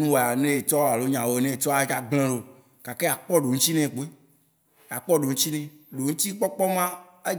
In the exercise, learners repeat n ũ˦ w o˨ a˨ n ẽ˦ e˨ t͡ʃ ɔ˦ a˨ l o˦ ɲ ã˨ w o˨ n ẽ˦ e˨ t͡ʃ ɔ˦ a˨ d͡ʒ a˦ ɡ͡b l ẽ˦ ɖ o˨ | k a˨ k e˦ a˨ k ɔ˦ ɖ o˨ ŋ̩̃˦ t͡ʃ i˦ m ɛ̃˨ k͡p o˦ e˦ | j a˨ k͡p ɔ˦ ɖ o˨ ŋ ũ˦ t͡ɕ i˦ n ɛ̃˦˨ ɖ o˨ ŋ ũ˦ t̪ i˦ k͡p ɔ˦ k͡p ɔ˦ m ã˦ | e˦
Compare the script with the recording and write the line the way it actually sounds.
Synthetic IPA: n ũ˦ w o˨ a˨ n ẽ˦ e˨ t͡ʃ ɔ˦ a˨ l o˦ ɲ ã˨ w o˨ n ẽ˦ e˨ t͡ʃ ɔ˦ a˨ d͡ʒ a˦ ɡ͡b l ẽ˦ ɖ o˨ | k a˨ k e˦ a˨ k͡p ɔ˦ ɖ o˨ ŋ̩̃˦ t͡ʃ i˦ n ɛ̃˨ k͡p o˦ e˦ | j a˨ k͡p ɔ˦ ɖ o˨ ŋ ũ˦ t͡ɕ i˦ n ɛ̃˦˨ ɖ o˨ ŋ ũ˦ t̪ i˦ k͡p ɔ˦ k͡p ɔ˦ m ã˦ | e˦